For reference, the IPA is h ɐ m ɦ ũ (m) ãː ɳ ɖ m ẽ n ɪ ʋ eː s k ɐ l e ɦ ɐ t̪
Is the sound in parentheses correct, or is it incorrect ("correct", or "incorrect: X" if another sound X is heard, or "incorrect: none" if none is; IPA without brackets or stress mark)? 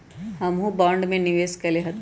incorrect: b